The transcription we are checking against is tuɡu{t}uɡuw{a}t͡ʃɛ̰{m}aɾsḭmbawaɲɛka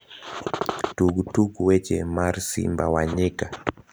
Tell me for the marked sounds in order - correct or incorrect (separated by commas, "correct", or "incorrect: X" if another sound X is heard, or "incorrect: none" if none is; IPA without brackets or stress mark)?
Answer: correct, incorrect: ɛ, correct